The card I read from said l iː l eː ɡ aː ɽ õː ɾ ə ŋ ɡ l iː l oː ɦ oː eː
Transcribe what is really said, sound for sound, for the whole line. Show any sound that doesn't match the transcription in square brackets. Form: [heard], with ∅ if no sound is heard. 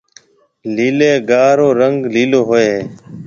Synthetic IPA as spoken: l iː l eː ɡ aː [ɾ] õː ɾ ə ŋ ɡ l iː l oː ɦ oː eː